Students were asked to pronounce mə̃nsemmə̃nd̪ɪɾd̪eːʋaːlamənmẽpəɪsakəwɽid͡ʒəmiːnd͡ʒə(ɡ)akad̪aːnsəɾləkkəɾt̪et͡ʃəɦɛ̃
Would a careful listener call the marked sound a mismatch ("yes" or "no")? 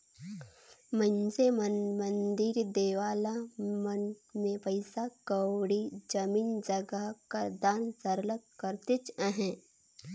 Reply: no